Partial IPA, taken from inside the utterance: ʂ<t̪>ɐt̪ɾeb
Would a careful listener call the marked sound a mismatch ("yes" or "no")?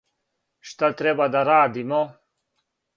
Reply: no